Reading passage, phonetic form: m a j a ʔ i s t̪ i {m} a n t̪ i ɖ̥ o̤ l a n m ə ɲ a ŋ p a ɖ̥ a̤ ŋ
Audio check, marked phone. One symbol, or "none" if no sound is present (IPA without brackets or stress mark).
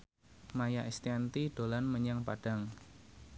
none